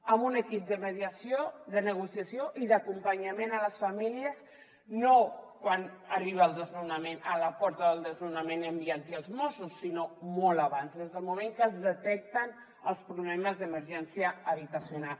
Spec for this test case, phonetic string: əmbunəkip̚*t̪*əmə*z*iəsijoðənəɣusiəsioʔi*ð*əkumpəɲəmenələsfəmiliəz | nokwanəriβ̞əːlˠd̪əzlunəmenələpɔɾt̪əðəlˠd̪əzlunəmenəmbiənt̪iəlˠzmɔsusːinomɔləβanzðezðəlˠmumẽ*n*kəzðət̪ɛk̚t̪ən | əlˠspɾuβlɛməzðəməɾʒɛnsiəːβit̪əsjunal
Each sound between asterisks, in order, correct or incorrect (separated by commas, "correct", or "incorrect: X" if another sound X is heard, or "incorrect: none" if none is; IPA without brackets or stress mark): incorrect: d̪, incorrect: ð, correct, incorrect: ŋ